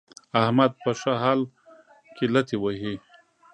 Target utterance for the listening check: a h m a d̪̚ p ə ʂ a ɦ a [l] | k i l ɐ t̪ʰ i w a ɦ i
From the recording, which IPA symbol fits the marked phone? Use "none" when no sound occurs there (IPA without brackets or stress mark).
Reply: l